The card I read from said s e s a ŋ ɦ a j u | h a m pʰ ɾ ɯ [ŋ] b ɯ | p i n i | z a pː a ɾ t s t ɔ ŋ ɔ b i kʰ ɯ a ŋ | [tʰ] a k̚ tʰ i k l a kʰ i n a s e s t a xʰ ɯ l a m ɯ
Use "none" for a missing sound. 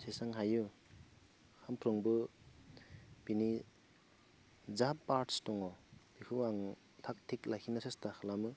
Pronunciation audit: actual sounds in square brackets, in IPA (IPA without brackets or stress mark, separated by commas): ŋ, tʰ